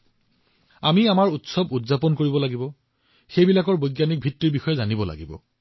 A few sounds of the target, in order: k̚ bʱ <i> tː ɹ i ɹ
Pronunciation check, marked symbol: correct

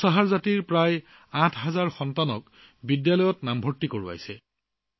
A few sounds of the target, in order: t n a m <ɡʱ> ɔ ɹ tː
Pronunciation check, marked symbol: incorrect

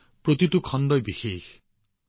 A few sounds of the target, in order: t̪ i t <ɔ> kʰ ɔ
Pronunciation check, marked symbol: incorrect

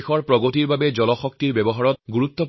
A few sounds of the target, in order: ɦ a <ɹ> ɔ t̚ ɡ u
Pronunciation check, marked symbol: correct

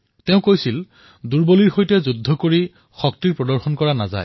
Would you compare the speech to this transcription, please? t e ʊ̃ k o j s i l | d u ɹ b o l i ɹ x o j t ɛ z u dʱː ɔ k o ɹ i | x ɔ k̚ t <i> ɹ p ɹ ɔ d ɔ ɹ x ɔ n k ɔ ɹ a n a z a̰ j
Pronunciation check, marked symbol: correct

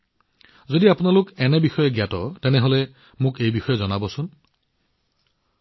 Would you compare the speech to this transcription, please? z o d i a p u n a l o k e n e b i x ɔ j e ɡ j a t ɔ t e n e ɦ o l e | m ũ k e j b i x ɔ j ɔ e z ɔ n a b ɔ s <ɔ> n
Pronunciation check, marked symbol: incorrect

